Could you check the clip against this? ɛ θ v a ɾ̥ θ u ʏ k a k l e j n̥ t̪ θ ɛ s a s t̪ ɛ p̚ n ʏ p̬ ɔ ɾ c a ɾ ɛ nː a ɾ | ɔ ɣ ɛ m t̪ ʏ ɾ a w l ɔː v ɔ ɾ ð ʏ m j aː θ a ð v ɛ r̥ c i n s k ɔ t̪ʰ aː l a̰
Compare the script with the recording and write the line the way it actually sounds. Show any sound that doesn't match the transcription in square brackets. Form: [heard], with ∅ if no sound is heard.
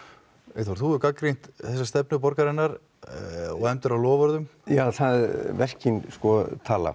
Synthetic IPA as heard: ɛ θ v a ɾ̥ θ u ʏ k a k [ɾ] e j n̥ t̪ θ ɛ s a s t̪ ɛ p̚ n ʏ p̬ ɔ ɾ [k] a ɾ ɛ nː a ɾ | ɔ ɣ ɛ m t̪ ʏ ɾ a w l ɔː v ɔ ɾ ð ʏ m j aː θ a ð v ɛ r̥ c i n s k ɔ t̪ʰ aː l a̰

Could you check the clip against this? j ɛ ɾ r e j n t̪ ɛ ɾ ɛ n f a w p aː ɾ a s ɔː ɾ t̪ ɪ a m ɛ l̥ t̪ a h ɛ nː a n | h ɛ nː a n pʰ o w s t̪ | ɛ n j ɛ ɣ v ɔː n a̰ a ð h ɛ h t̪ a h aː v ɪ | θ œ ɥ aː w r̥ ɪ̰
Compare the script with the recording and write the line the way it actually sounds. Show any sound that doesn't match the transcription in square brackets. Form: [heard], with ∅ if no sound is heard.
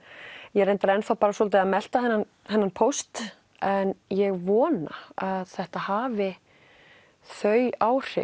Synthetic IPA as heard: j ɛ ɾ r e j n t̪ [a] ɾ ɛ n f a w p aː ɾ a s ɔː [l] t̪ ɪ a m ɛ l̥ t̪ a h ɛ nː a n | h ɛ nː a n pʰ o w s t̪ | ɛ n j ɛ ɣ v ɔː n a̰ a ð [θ] ɛ h t̪ a h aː v ɪ | θ œ ɥ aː w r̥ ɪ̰

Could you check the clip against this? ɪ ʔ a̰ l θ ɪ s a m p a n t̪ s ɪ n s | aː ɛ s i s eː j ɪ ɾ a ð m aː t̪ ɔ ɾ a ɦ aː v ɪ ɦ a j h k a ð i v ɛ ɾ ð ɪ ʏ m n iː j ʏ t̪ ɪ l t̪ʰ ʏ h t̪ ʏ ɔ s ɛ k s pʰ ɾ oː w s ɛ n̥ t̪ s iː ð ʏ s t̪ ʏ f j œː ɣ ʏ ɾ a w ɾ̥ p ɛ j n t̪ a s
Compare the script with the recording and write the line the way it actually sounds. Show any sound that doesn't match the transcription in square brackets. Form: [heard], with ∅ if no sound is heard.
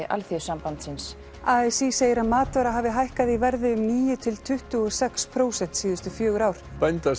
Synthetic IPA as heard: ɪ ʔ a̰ l θ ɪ s a m p a n t̪ s ɪ n s | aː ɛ s i s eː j ɪ ɾ a ð m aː t̪ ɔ ɾ a ɦ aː v ɪ ɦ a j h k a ð i v ɛ ɾ ð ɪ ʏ m n iː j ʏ [t̪ʰ] ɪ l t̪ʰ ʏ h t̪ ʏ ɔ s ɛ k s pʰ ɾ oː w s ɛ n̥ t̪ s iː ð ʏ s t̪ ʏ f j œː ɣ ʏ ɾ a w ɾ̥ p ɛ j n t̪ a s

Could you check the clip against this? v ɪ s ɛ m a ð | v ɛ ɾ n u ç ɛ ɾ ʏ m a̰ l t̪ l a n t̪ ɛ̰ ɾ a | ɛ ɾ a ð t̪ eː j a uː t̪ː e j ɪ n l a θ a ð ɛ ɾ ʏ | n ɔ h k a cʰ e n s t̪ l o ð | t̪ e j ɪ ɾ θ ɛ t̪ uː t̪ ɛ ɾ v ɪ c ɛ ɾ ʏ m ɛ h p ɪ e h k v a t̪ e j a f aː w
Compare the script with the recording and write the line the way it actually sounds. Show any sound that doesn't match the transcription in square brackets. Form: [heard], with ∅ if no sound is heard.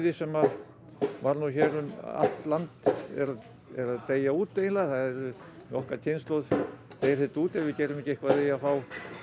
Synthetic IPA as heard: [ð] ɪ s ɛ m a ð | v [a] ɾ n u ç ɛ ɾ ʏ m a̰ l t̪ l a n t̪ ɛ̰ ɾ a | ɛ ɾ a ð t̪ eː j a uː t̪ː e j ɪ n l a θ a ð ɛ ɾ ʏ | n ɔ h k a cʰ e n s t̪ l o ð | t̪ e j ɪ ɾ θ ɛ t̪ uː t̪ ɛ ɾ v ɪ c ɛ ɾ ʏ m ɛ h [c] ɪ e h k v a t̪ e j a f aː w

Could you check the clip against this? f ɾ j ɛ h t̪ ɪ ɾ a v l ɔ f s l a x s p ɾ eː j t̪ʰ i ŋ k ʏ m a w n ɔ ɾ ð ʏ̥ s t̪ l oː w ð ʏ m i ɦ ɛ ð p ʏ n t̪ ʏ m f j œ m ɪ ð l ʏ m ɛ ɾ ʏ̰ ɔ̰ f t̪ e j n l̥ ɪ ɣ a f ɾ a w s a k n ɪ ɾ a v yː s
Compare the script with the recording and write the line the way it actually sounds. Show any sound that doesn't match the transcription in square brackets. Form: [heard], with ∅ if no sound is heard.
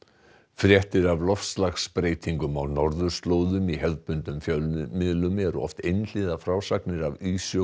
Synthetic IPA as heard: f ɾ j ɛ h t̪ ɪ ɾ a v l ɔ f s l a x s p ɾ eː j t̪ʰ i ŋ k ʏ m a w n ɔ ɾ ð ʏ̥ s t̪ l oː w ð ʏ m i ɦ ɛ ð p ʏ n t̪ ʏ m f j œ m ɪ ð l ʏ m ɛ ɾ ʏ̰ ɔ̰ f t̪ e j n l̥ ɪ [ð] a f ɾ a w s a k n ɪ ɾ a v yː s

